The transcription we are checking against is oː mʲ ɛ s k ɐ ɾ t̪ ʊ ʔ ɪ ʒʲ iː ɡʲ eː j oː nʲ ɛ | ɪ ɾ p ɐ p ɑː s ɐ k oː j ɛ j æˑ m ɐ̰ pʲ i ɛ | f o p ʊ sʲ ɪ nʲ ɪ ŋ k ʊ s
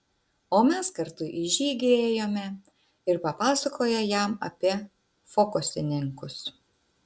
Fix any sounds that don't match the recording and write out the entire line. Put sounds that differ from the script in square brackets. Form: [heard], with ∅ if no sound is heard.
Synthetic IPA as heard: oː mʲ ɛ s k ɐ ɾ t̪ ʊ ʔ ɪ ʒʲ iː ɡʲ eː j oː [mʲ] ɛ | ɪ ɾ p ɐ p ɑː s ɐ k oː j ɛ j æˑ m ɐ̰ pʲ i ɛ | f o [k] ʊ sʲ ɪ nʲ ɪ ŋ k ʊ s